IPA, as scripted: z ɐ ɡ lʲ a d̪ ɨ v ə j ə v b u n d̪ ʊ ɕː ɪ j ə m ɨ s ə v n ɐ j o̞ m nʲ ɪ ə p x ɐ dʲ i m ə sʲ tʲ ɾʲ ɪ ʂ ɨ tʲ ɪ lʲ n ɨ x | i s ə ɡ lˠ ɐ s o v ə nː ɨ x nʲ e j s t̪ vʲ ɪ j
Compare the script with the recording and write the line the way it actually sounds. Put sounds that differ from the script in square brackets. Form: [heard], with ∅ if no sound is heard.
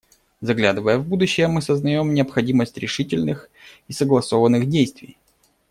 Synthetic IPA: z ɐ ɡ lʲ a d̪ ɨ v ə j ə v b u [∅] d̪ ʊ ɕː ɪ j ə m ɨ s ə [z] n ɐ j o̞ m nʲ ɪ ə p x ɐ dʲ i m ə sʲ tʲ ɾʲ ɪ ʂ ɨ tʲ ɪ lʲ n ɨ x | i s ə ɡ lˠ ɐ s o v ə nː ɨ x [dʲ] e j s t̪ vʲ ɪ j